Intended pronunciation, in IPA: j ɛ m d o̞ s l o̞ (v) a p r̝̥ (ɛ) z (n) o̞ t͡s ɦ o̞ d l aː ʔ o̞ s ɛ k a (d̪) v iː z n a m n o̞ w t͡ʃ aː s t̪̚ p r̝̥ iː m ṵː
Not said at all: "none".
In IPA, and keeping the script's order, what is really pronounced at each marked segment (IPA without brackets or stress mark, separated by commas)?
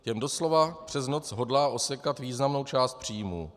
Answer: v, ɛ, n, t̪